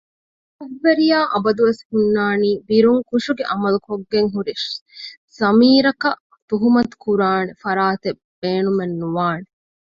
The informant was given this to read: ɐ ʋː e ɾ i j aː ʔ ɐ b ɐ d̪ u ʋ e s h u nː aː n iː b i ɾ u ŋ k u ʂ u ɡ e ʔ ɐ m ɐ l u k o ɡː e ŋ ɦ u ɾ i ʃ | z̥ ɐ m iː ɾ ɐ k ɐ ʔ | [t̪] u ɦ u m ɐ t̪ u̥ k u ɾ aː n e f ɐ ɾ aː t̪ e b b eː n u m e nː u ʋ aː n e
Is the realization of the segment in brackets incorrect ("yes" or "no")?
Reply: no